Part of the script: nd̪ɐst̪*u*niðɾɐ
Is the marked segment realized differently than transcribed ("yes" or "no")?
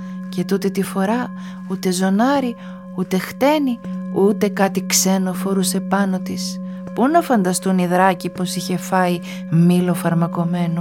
no